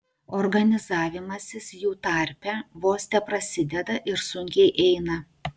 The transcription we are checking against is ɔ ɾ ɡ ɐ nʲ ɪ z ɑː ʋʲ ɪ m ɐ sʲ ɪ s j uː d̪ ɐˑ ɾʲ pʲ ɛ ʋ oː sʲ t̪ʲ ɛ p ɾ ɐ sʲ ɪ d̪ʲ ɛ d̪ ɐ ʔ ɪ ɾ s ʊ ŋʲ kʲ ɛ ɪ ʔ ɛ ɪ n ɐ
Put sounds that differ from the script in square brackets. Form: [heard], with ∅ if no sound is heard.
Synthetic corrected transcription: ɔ ɾ ɡ ɐ nʲ ɪ z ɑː ʋʲ ɪ m ɐ sʲ ɪ s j uː [t̪] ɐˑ ɾʲ pʲ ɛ ʋ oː sʲ t̪ʲ ɛ p ɾ ɐ sʲ ɪ d̪ʲ ɛ d̪ ɐ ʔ ɪ ɾ s ʊ ŋʲ kʲ ɛ ɪ ʔ ɛ ɪ n ɐ